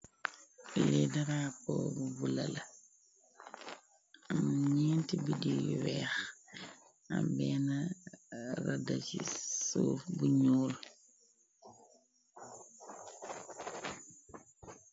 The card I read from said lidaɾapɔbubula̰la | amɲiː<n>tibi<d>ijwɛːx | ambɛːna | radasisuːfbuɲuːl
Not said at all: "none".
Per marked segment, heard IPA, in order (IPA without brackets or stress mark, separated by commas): n, d